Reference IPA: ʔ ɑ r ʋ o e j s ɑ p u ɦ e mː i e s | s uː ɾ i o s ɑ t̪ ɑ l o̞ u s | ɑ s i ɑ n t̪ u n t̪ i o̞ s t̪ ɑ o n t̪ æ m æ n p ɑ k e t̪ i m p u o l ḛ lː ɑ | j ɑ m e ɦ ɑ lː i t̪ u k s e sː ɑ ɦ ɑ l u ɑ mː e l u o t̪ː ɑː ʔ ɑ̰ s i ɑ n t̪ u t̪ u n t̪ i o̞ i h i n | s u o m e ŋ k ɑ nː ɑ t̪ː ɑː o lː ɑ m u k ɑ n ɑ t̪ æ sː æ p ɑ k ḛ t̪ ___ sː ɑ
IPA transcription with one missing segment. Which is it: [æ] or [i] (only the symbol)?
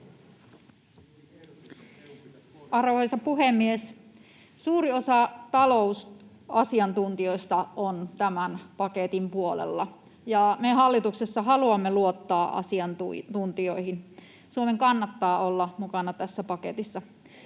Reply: i